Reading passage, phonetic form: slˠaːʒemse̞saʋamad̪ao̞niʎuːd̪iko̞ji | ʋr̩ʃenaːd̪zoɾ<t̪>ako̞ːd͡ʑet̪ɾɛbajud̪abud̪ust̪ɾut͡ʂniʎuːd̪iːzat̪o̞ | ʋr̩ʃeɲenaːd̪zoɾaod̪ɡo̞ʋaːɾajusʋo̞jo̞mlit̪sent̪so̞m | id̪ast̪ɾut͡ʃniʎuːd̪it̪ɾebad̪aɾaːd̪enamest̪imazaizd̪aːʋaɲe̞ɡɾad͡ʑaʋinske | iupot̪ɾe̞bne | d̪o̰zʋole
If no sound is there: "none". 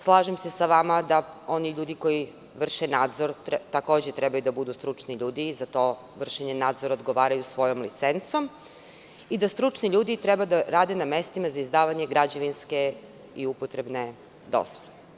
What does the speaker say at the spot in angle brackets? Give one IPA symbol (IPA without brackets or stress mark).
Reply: t̪